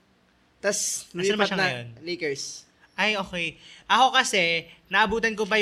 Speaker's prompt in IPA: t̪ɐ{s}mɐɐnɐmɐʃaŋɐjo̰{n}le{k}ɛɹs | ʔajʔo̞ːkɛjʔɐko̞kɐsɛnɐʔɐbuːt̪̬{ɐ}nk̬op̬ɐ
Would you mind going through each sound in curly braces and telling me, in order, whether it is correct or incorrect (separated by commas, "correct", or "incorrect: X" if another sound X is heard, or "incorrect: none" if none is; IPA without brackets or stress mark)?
correct, correct, correct, correct